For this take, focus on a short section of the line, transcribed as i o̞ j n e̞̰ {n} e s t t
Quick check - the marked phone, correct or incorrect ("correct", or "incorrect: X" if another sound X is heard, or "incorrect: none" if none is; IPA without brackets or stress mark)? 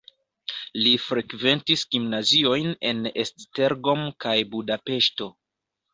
correct